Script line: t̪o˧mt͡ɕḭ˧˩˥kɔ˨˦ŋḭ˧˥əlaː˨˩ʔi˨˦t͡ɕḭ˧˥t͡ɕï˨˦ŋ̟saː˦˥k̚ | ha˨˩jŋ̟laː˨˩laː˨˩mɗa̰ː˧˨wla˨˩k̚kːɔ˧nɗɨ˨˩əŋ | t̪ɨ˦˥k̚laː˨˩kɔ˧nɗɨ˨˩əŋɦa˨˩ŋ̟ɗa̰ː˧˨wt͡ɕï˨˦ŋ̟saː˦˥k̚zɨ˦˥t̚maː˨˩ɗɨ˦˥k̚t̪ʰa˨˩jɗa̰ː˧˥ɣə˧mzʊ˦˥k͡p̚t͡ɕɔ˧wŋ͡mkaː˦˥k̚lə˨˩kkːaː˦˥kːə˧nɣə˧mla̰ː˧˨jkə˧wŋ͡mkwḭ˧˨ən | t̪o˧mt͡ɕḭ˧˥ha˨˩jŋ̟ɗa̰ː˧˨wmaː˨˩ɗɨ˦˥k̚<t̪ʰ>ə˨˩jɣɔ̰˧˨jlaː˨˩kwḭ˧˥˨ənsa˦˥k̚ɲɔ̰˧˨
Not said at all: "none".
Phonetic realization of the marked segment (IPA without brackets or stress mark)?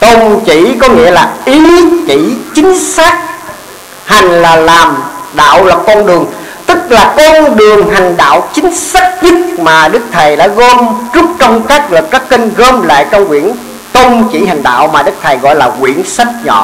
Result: t̪ʰ